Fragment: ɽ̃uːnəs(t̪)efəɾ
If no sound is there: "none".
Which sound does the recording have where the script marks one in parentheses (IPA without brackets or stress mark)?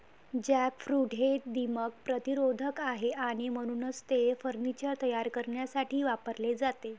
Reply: t̪